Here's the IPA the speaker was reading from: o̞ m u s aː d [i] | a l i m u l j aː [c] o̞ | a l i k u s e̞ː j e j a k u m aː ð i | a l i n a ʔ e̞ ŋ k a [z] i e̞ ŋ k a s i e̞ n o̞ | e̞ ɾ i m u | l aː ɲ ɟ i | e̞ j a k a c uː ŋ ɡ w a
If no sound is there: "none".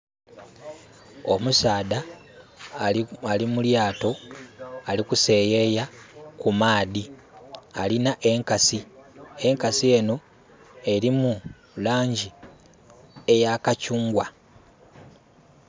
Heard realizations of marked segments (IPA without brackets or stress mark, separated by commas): a, t, s